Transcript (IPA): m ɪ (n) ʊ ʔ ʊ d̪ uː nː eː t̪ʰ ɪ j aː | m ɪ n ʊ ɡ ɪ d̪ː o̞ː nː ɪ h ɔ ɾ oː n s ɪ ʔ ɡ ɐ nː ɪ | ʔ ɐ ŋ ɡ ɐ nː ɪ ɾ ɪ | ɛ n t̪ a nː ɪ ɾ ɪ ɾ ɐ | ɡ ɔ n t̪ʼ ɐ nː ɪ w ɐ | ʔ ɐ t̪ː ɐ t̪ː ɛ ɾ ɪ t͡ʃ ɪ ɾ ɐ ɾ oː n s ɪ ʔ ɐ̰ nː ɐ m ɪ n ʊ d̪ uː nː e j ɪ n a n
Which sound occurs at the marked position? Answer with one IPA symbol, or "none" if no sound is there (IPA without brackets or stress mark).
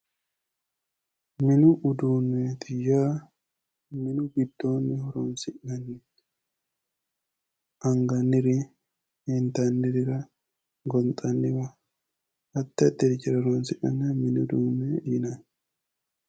n